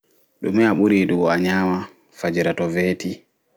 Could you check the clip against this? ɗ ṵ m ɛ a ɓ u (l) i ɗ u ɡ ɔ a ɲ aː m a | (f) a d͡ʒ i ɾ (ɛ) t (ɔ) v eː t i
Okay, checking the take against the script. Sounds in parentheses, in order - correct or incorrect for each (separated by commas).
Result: incorrect, correct, incorrect, correct